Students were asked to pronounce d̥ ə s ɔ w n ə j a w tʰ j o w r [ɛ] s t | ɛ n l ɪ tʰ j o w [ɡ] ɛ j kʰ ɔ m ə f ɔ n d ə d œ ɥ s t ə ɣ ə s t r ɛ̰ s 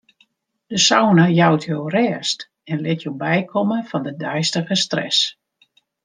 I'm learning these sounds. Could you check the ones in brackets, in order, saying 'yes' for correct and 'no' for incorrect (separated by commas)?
no, no